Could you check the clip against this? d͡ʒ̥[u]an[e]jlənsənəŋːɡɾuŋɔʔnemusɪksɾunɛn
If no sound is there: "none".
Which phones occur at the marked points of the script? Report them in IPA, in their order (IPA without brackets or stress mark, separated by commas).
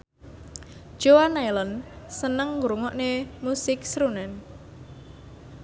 o, a